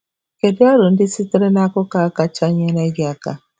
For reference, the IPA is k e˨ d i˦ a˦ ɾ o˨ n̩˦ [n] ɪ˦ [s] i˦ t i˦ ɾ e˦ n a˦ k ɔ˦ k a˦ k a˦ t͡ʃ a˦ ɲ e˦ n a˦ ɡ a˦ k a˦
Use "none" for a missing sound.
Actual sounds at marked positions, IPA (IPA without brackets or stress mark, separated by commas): d, s